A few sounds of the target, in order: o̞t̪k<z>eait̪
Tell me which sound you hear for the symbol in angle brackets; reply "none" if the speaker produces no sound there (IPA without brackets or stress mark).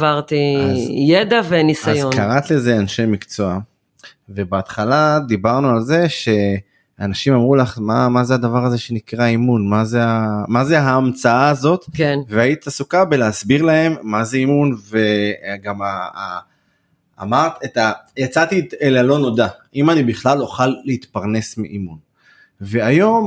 v